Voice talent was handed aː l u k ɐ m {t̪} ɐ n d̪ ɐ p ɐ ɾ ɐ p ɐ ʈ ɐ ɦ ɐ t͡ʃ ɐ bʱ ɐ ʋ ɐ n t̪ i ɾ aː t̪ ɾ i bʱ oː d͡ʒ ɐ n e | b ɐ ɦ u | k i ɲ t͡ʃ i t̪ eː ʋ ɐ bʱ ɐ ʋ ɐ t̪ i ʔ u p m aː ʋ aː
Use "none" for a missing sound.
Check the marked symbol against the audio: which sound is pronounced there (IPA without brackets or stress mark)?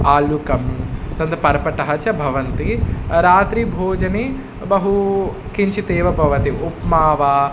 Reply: t̪